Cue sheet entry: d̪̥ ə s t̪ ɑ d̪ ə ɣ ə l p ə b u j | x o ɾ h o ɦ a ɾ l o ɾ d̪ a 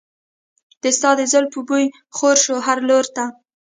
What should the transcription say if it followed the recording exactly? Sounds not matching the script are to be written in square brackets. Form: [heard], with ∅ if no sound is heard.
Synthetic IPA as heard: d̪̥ ə s t̪ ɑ d̪ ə [z] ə l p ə b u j | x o ɾ [ʃ] o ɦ a ɾ l o ɾ [t̪] a

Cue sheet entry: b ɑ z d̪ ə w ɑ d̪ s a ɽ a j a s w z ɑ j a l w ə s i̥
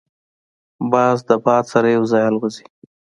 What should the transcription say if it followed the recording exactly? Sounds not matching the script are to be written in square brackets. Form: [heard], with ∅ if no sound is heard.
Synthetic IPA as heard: b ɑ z d̪ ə [b] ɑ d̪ s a [ɾ] a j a [∅] w z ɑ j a l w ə [z] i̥

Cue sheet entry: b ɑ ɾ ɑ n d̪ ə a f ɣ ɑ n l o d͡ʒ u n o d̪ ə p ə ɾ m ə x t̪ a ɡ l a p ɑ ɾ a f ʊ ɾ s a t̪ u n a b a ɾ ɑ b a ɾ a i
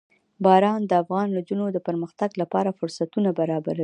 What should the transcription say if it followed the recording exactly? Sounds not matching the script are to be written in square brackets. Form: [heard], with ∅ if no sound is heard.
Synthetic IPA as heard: b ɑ ɾ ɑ n d̪ ə a f ɣ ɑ n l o d͡ʒ u n o d̪ ə p ə ɾ m ə x t̪ a ɡ l a p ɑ ɾ a f ʊ ɾ s a t̪ u n a b a ɾ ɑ b a ɾ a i

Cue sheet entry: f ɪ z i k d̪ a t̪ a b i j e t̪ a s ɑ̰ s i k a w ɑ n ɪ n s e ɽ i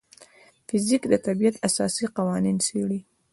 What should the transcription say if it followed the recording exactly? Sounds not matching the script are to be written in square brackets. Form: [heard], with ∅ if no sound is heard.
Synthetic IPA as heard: f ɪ z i k d̪ [ə] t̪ a b i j [a] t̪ a s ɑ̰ s i [q] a w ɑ n [i] n s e ɽ i

